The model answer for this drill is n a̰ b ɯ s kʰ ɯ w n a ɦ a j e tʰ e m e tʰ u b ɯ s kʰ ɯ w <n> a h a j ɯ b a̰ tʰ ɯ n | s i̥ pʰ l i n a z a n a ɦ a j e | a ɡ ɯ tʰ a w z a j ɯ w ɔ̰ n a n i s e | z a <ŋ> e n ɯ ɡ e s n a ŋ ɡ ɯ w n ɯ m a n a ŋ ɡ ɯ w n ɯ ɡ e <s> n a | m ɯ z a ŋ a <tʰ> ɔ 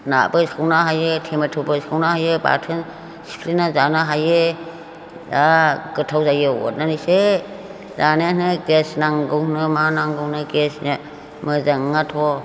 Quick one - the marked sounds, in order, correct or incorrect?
correct, incorrect: n, correct, correct

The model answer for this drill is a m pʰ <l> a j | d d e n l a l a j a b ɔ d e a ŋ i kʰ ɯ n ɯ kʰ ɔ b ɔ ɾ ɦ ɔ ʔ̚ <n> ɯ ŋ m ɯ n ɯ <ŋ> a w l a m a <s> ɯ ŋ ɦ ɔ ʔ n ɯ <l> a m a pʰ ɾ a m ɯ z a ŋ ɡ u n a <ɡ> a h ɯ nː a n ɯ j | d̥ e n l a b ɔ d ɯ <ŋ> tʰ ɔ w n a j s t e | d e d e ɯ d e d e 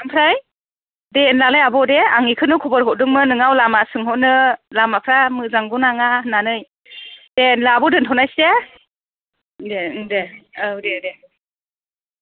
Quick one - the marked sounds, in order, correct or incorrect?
incorrect: ɾ, incorrect: d, correct, correct, correct, incorrect: ŋ, incorrect: n

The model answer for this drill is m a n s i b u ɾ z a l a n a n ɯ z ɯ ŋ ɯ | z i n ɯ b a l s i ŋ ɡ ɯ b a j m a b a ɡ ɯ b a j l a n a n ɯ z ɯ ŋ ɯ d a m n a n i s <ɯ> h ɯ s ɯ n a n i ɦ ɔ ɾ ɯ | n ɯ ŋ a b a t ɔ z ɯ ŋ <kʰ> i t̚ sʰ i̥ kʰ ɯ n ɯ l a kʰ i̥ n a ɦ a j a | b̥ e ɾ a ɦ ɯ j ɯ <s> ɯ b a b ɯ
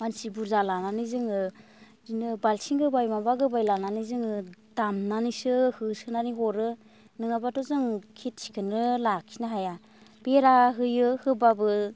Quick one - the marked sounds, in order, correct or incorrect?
correct, correct, incorrect: h

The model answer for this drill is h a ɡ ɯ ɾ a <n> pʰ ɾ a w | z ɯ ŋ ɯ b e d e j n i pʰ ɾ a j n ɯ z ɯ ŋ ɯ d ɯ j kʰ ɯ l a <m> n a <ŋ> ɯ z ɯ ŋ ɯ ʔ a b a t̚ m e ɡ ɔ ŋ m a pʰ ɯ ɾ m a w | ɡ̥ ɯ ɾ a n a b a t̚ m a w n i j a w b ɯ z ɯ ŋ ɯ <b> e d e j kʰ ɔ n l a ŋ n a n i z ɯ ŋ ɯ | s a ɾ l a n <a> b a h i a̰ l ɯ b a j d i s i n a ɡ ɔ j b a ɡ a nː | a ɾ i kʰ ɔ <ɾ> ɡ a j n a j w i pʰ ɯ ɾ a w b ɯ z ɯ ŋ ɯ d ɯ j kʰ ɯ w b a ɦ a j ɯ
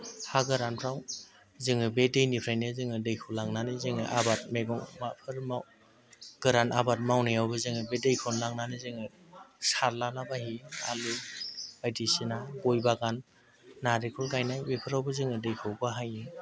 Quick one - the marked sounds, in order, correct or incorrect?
correct, incorrect: ŋ, incorrect: n, correct, correct, incorrect: l

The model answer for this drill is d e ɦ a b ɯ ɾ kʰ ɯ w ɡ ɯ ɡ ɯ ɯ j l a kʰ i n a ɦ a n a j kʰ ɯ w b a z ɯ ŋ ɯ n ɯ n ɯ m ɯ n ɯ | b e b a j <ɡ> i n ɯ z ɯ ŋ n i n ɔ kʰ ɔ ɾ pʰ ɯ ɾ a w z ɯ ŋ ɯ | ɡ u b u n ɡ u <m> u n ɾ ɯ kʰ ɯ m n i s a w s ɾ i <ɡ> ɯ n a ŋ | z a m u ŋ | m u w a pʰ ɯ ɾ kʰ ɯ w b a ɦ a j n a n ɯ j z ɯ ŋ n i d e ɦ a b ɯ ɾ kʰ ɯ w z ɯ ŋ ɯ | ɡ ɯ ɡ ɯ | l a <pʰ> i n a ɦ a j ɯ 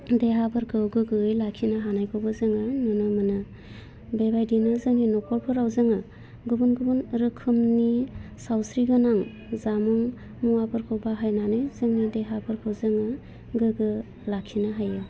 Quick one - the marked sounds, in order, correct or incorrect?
incorrect: d, incorrect: b, correct, incorrect: kʰ

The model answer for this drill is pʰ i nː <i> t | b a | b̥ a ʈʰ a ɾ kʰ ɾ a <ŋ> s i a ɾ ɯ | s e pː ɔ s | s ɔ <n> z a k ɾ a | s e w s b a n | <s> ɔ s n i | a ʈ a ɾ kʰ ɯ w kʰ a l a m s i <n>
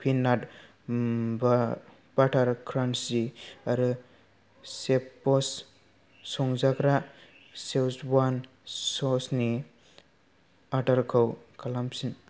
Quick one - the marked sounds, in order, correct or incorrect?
incorrect: a, incorrect: n, incorrect: ŋ, correct, correct

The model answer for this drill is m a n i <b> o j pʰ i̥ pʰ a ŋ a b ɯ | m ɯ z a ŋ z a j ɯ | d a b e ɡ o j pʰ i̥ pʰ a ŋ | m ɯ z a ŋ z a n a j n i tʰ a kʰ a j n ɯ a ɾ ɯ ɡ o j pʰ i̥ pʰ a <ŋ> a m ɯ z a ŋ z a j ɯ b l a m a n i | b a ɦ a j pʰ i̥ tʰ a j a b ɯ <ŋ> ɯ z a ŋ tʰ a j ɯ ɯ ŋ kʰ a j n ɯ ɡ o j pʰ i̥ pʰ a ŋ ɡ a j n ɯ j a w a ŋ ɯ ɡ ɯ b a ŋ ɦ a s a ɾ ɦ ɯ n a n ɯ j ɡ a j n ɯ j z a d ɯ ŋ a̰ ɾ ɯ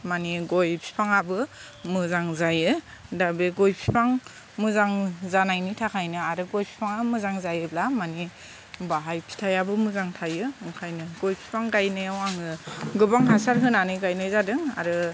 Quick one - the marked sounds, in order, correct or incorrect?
incorrect: ɡ, correct, incorrect: m

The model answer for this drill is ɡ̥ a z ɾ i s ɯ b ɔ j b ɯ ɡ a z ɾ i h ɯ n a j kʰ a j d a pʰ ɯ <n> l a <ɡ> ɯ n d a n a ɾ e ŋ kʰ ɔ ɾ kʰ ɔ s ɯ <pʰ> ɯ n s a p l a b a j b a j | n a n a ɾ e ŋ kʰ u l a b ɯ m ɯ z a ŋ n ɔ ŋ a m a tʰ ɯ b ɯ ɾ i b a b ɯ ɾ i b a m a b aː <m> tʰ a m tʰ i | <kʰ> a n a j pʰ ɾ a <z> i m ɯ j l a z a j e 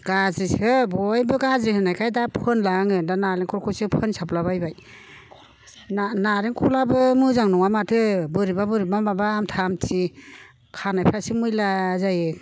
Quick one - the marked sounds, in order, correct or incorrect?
correct, incorrect: ŋ, correct, correct, correct, incorrect: s

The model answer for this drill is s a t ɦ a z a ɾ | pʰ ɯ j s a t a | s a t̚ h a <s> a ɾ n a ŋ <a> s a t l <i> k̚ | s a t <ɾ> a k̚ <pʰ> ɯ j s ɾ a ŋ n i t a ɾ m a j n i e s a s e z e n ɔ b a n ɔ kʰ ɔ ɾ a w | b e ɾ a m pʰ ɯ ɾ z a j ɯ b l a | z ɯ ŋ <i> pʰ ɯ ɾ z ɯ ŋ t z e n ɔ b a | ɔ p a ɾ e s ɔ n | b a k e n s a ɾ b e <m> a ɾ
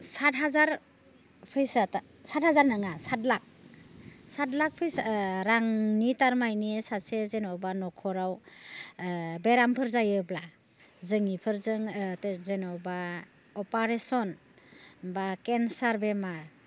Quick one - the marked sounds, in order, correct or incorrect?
incorrect: z, correct, incorrect: a, incorrect: l, correct, correct, correct

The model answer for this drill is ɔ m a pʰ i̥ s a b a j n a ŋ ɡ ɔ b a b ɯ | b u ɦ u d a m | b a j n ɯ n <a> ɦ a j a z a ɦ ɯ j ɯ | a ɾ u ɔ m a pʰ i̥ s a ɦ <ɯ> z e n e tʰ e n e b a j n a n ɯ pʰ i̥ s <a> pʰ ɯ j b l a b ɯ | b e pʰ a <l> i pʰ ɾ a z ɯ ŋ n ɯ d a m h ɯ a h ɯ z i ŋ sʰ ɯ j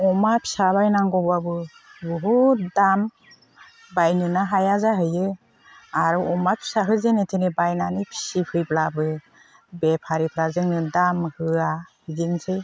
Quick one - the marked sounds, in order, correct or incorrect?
correct, correct, incorrect: i, incorrect: ɾ

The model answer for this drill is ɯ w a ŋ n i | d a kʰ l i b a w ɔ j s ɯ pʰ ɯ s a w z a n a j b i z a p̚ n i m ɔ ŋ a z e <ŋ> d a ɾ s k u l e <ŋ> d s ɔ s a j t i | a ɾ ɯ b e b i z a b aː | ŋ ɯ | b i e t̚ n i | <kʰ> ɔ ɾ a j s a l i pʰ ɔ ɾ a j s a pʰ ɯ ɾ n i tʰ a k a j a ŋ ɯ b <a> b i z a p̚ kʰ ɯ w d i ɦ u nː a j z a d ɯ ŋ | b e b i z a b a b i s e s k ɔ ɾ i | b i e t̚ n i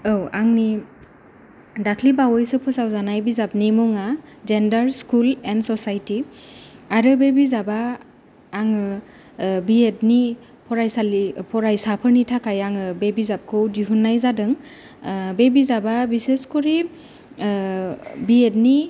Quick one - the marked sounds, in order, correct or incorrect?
incorrect: n, incorrect: n, incorrect: pʰ, incorrect: e

